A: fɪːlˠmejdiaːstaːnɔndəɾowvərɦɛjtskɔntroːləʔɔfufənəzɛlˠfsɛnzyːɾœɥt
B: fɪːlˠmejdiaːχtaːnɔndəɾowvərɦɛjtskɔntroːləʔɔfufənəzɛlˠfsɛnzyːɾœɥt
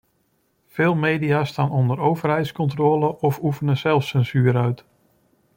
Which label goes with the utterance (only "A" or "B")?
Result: A